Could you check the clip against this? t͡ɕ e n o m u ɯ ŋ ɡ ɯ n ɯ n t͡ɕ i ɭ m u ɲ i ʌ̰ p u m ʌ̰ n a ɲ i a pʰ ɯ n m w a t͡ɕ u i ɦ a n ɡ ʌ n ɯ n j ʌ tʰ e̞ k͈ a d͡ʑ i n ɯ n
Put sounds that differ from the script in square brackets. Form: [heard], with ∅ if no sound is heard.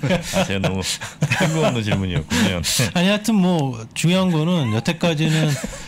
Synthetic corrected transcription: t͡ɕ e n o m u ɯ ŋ ɡ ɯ n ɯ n t͡ɕ i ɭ m u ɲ i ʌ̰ [k] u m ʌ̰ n a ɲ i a [tʰ] ɯ n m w [ʌ] t͡ɕ u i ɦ a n ɡ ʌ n ɯ n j ʌ tʰ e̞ k͈ a d͡ʑ i n ɯ n